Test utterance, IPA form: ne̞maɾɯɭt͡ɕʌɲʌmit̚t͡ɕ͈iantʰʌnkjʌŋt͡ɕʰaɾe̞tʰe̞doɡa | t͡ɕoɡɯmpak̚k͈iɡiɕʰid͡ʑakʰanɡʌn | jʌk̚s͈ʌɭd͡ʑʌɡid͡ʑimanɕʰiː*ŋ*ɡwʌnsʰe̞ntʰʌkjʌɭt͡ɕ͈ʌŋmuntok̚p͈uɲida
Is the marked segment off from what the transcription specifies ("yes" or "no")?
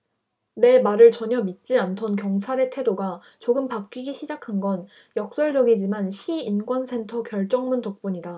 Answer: yes